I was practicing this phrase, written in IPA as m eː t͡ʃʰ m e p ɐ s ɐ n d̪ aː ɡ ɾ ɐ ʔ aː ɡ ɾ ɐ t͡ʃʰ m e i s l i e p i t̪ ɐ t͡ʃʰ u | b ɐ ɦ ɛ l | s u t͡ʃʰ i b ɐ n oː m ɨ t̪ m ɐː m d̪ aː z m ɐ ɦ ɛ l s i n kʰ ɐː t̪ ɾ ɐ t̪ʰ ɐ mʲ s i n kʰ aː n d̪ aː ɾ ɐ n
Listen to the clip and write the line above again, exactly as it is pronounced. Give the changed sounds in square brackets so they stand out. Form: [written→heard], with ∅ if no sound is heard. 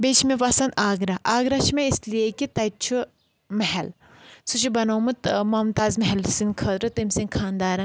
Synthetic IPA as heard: [m→b] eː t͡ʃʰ m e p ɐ s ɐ n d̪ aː ɡ ɾ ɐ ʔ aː ɡ ɾ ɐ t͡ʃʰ m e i s l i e [p→k] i t̪ ɐ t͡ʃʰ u | [b→m] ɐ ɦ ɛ l | s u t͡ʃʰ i b ɐ n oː m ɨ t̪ m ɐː m [d̪→t̪] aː z m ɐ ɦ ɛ l s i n kʰ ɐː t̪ ɾ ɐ [t̪ʰ→t̪] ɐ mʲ s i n kʰ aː n d̪ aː ɾ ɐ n